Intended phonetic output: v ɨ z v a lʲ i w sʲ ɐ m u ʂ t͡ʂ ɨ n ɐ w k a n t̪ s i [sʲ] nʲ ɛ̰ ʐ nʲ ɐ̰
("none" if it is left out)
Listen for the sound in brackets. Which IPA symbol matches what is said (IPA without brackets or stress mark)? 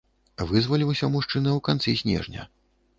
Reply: sʲ